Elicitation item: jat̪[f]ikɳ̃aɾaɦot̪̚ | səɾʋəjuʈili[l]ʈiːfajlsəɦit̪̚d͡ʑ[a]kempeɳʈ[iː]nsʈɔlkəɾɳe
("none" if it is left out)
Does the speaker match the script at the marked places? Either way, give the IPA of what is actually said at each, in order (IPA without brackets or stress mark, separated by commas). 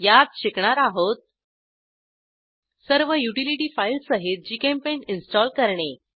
ɕ, none, i, i